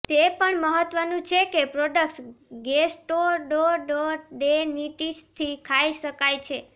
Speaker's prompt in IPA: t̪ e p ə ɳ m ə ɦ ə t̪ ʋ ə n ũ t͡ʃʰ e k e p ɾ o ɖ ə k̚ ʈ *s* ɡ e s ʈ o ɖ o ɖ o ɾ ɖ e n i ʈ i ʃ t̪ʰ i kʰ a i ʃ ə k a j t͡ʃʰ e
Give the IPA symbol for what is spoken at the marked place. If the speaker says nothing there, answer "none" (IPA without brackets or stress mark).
s